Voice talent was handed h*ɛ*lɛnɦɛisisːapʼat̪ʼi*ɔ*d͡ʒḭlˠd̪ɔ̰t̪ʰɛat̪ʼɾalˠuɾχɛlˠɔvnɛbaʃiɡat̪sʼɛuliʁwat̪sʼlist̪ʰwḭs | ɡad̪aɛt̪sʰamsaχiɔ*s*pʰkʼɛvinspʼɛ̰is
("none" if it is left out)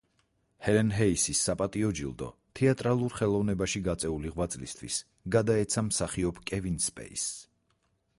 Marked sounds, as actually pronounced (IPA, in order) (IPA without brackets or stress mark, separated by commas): ɛ, ɔ, none